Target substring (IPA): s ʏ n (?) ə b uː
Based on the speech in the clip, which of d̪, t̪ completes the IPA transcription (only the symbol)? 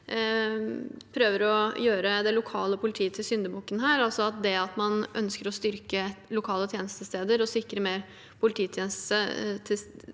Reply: d̪